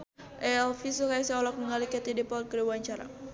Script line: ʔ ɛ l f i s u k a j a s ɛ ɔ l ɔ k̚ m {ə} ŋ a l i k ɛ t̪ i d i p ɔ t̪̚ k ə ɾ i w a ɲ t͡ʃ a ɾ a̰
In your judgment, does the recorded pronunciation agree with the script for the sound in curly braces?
yes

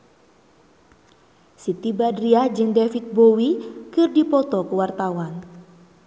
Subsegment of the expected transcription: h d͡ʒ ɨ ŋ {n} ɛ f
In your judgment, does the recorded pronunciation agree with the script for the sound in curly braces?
no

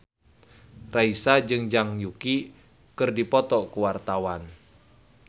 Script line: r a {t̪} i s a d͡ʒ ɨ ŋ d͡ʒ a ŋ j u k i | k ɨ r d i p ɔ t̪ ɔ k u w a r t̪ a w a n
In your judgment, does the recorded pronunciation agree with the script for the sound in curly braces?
no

